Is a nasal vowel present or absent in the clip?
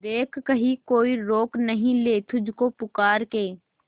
present